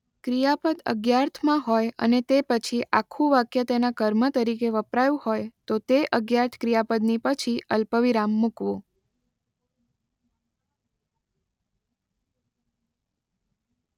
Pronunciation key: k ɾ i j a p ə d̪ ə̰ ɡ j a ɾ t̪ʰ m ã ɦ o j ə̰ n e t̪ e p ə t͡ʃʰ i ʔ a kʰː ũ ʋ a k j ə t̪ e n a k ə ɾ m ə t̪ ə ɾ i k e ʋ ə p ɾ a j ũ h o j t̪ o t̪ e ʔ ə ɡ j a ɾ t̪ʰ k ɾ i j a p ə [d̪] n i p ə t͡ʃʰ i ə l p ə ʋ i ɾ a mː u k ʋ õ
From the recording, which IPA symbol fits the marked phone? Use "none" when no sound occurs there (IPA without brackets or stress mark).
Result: d̪